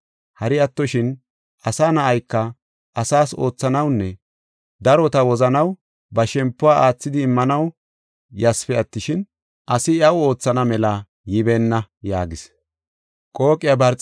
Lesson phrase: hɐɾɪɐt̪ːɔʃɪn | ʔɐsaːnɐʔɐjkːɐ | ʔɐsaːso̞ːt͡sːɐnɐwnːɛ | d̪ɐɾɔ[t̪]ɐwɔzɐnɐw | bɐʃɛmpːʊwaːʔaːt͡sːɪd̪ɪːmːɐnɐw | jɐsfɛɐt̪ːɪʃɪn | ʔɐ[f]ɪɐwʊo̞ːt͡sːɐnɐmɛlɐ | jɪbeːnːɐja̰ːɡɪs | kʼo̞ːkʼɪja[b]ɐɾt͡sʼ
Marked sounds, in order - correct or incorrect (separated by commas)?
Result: correct, incorrect, correct